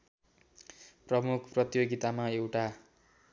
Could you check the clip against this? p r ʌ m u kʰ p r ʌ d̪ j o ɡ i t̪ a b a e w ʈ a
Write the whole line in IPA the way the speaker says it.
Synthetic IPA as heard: p r ʌ m u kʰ p r ʌ t̪ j o ɡ i t̪ a m a e w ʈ a